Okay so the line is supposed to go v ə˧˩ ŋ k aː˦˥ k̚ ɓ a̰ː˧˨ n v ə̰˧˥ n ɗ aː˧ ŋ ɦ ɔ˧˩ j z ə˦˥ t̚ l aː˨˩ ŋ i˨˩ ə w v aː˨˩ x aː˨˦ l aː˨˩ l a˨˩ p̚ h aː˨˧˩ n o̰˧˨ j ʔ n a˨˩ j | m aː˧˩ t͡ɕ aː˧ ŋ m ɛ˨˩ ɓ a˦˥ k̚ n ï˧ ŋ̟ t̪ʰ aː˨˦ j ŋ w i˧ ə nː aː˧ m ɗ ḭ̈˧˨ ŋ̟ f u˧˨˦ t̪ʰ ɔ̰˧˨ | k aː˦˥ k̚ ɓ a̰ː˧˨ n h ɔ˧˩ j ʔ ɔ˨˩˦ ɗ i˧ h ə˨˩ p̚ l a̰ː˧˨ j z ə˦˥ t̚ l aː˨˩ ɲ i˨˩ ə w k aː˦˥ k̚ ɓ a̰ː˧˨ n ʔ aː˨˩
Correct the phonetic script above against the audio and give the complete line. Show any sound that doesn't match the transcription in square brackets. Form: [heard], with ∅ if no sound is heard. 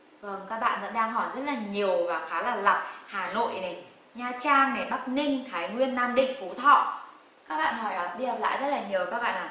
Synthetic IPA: v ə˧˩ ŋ k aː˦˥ k̚ ɓ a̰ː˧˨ n v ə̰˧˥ n ɗ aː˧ ŋ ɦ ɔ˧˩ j z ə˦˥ t̚ l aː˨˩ [ɲ] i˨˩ ə w v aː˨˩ x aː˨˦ l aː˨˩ l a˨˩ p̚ h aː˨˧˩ n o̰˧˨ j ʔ n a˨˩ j | [ɲ] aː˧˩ t͡ɕ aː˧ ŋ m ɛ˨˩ ɓ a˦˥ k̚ n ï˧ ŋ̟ t̪ʰ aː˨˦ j ŋ w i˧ ə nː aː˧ m ɗ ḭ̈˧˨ ŋ̟ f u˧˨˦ t̪ʰ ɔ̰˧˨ | k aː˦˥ k̚ ɓ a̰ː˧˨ n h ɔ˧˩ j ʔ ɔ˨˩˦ ɗ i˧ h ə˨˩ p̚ l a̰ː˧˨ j z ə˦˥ t̚ l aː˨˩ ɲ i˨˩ ə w k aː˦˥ k̚ ɓ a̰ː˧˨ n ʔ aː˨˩